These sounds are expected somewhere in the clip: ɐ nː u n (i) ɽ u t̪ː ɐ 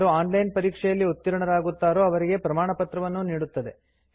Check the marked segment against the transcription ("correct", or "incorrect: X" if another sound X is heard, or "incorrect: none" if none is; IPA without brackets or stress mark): incorrect: iː